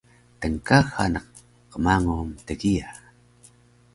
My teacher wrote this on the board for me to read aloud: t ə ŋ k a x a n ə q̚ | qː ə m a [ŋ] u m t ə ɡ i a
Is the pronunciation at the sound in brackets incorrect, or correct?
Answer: correct